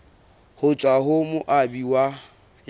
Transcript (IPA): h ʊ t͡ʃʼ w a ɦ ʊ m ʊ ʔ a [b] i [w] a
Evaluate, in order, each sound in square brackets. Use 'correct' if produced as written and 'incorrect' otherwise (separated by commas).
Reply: correct, correct